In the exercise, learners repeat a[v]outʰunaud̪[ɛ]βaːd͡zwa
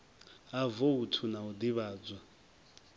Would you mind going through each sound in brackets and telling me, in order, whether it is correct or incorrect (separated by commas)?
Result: correct, incorrect